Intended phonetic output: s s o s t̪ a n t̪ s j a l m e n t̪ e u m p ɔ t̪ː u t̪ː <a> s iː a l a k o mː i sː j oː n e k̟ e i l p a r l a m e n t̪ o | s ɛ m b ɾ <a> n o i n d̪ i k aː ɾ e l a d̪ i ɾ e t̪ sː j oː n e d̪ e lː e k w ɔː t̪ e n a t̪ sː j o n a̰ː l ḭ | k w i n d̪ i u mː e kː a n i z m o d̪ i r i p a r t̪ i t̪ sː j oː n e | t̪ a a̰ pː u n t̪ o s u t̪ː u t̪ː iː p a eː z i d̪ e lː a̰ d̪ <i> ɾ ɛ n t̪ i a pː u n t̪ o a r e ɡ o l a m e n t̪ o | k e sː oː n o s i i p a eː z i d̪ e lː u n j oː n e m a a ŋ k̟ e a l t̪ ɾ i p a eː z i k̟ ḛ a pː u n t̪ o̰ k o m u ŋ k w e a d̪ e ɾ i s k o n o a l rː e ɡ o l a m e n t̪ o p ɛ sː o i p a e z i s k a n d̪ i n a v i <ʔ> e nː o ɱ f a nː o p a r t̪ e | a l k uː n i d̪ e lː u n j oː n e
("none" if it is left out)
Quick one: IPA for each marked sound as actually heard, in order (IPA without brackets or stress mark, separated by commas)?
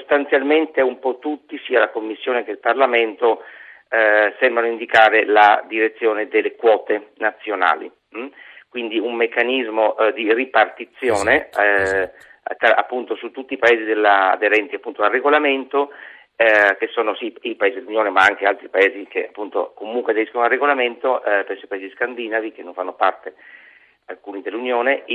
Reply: i, a, e, k